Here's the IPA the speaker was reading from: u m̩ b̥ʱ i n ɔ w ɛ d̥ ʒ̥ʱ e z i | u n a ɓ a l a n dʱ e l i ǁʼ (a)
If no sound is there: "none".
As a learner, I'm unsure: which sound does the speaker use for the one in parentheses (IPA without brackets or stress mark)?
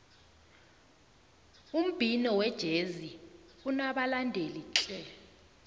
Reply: ɛ